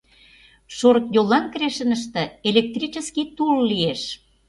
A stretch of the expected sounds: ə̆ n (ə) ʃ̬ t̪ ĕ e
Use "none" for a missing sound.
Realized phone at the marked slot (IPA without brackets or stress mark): ə